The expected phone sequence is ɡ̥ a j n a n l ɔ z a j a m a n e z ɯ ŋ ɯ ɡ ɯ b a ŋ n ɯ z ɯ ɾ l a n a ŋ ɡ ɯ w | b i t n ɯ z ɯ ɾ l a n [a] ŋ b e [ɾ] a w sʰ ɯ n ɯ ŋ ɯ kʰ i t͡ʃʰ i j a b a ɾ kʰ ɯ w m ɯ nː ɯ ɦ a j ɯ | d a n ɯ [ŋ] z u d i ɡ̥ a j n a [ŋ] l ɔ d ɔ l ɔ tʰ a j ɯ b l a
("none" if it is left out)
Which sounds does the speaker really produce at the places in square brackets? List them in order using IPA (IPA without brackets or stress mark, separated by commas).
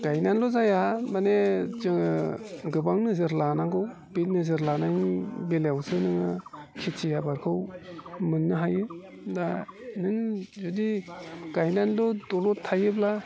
a, l, ŋ, n